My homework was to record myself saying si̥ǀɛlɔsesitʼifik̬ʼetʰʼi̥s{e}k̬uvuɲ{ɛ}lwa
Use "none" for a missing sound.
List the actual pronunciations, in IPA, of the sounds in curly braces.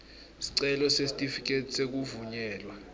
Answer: e, ɛː

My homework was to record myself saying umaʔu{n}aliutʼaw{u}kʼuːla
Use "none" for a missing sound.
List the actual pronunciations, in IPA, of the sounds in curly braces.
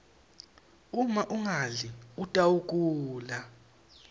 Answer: ŋ, u

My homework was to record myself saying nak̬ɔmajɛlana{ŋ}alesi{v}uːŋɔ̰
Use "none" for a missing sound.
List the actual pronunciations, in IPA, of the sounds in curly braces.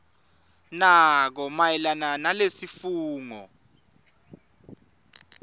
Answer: n, f

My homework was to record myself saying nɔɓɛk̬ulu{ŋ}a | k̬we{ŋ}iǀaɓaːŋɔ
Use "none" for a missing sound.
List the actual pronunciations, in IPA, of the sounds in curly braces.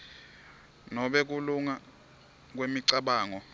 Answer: ŋ, m

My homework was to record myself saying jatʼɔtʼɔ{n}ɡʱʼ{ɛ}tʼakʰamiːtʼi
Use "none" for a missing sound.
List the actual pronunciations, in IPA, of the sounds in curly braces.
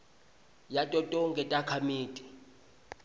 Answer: ŋ, ɛ

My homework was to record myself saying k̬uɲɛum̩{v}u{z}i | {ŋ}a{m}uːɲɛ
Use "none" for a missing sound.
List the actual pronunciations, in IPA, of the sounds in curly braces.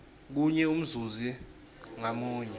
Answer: z, z, ŋ, m

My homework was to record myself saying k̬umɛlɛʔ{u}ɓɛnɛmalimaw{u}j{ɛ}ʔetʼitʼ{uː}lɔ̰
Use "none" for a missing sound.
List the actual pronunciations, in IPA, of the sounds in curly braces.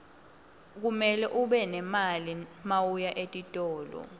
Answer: u, u, a, ɔː

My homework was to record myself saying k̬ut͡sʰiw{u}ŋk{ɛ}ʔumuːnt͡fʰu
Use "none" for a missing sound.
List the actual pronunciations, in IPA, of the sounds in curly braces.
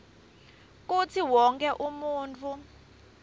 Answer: ɔ, ɛ

